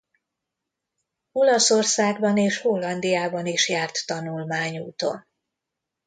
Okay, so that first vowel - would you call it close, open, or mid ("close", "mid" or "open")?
mid